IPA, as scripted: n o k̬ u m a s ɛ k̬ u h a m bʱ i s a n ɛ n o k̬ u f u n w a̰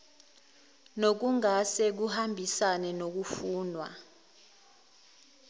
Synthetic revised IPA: n o k̬ u ŋ a s ɛ k̬ u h a m bʱ i s a n ɛ n o k̬ u f uː n w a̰